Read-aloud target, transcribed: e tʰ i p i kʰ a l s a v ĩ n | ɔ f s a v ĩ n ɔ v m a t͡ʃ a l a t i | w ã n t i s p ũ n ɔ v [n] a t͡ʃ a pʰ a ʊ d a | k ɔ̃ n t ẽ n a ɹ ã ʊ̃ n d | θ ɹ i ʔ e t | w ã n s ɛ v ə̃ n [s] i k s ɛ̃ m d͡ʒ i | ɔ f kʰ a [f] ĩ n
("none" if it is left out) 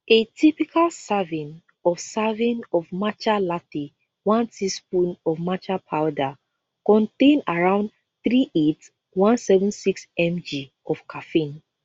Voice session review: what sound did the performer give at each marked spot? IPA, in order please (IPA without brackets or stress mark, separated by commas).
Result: m, s, f